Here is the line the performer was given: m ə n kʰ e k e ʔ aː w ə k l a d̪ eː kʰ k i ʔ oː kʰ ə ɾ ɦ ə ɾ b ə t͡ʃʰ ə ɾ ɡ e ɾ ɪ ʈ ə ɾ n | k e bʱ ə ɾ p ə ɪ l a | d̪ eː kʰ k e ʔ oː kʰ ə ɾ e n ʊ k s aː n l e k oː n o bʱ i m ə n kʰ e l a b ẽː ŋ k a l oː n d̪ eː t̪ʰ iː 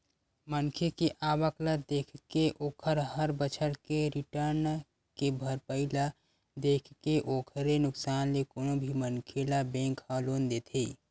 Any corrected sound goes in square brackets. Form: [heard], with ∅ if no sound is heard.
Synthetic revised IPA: m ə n kʰ e k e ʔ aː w ə k l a d̪ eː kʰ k [e] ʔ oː kʰ ə ɾ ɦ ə ɾ b ə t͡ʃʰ ə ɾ [k] e ɾ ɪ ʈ ə ɾ n | k e bʱ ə ɾ p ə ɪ l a | d̪ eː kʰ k e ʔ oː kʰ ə ɾ e n ʊ k s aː n l e k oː n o bʱ i m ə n kʰ e l a b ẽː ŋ k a l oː n d̪ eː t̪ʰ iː